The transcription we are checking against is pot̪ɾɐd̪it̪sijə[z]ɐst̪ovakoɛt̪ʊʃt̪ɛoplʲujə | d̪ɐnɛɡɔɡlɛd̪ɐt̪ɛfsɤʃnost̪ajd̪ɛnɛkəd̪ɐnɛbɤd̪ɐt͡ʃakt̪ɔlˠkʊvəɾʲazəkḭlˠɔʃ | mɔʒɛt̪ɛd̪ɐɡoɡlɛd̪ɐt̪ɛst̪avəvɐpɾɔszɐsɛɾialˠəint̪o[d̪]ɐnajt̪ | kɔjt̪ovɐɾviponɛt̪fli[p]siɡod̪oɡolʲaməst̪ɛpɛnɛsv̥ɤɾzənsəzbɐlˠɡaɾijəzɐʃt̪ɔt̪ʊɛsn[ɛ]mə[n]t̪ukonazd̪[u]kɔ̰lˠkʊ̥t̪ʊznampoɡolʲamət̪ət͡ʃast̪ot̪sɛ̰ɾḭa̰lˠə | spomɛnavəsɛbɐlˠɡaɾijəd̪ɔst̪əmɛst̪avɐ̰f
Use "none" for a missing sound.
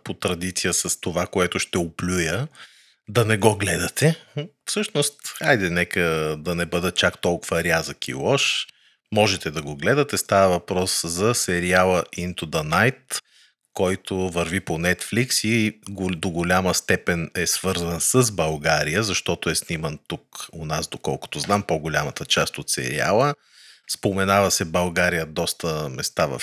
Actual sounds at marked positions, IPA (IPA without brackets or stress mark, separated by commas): s, d̪, k, i, n, o